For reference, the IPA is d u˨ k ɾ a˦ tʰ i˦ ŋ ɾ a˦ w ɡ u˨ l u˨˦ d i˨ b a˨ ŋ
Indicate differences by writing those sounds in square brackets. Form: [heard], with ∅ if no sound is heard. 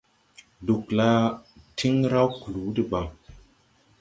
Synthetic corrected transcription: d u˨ k [l] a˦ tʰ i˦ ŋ ɾ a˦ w [k] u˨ l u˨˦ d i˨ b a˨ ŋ